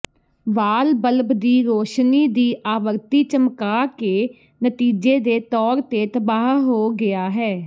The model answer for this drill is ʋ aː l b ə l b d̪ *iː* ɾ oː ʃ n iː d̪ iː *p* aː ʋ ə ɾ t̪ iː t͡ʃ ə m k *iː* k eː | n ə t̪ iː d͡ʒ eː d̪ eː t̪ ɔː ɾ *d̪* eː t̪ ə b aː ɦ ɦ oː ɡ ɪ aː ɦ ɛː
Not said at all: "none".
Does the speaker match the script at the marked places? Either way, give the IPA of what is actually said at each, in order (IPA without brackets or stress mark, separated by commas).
iː, ʔ, aː, t̪